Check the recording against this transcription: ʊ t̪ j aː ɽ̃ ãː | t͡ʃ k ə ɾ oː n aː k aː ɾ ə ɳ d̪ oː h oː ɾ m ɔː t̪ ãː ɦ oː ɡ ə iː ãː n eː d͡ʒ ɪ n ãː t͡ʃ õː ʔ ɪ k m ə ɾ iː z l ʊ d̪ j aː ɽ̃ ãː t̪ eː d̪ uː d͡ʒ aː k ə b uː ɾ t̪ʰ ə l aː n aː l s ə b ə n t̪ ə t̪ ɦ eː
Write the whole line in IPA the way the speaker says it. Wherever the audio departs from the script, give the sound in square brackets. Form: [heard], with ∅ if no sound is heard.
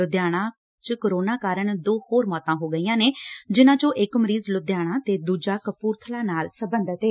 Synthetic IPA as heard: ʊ [d̪] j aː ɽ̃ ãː | t͡ʃ k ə ɾ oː n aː k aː ɾ ə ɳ d̪ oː h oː ɾ m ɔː t̪ ãː ɦ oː ɡ ə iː ãː n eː d͡ʒ ɪ n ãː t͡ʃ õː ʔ ɪ k m ə ɾ iː z l ʊ d̪ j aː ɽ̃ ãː t̪ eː d̪ uː d͡ʒ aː k ə [p] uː ɾ t̪ʰ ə l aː n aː l s ə b ə n [d̪] ə t̪ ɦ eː

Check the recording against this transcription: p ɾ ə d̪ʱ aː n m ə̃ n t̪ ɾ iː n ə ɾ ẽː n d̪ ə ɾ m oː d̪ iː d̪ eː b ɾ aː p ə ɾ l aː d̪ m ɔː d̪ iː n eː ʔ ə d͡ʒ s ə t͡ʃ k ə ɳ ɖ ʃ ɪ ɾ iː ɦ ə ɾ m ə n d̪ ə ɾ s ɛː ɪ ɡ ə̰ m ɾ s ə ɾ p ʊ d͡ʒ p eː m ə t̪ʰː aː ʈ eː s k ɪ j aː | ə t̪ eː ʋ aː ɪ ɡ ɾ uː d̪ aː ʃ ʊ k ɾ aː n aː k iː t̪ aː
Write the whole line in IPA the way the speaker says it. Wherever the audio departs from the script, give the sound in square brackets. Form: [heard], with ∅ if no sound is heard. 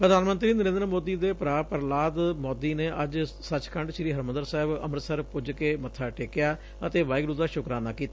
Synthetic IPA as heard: p ɾ ə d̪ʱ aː n m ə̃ n t̪ ɾ iː n ə ɾ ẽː n d̪ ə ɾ m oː d̪ iː d̪ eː [p] ɾ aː p ə ɾ l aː d̪ m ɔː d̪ iː n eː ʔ ə d͡ʒ s ə t͡ʃ k ə ɳ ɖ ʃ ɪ ɾ iː ɦ ə ɾ m ə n d̪ ə ɾ s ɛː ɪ [b] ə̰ m ɾ s ə ɾ p ʊ d͡ʒ [k] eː m ə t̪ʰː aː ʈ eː [∅] k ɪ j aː | ə t̪ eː ʋ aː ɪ ɡ ɾ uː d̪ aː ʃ ʊ k ɾ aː n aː k iː t̪ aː

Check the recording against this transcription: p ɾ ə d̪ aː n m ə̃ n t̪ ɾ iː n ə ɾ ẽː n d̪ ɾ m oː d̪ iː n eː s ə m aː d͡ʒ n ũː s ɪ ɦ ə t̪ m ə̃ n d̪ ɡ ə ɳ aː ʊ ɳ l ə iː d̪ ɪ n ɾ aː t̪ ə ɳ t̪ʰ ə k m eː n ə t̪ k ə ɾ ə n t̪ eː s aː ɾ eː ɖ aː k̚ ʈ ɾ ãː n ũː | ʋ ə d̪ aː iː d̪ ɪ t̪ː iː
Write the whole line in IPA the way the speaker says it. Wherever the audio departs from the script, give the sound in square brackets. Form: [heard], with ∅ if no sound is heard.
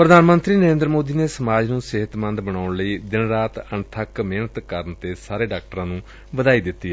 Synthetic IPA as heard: p ɾ ə d̪ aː n m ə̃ n t̪ ɾ iː n ə ɾ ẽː n d̪ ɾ m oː d̪ iː n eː s ə m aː d͡ʒ n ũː s ɪ ɦ ə t̪ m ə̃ n d̪ [b] ə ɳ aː ʊ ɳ l ə iː d̪ ɪ n ɾ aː t̪ ə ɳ t̪ʰ ə k m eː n ə t̪ k ə ɾ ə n t̪ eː s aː ɾ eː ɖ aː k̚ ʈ ɾ ãː n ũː | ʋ ə d̪ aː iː d̪ ɪ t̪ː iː

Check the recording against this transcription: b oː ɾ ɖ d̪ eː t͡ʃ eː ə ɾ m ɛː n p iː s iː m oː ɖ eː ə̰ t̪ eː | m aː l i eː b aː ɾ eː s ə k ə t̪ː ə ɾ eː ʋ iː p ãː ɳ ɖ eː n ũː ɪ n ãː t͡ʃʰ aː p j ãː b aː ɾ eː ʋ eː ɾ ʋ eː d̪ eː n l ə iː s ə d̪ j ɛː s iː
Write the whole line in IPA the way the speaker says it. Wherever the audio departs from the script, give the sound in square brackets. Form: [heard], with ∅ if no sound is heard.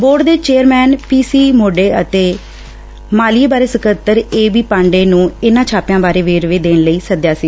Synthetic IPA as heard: b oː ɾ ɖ d̪ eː t͡ʃ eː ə ɾ m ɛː n p iː s iː m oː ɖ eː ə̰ t̪ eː | m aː l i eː b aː ɾ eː s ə k ə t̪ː ə ɾ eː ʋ iː p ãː ɳ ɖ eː n ũː ɪ n ãː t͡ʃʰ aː p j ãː b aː ɾ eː ʋ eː ɾ ʋ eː d̪ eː n l ə iː s ə d̪ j [aː] s iː

